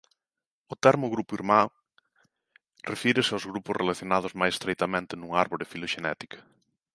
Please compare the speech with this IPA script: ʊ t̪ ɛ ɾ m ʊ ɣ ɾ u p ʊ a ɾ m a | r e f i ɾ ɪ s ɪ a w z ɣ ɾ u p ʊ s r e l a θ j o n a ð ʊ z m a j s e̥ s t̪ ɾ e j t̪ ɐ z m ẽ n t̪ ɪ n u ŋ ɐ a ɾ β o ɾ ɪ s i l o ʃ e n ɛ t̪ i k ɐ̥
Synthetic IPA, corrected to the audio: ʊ t̪ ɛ ɾ m ʊ ɣ ɾ u p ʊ i ɾ m a | r e f i ɾ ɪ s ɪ a w z ɣ ɾ u p ʊ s r e l a θ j o n a ð ʊ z m a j s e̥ s t̪ ɾ e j t̪ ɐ m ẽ n t̪ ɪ n u ŋ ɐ a ɾ β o ɾ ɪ f i l o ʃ e n ɛ t̪ i k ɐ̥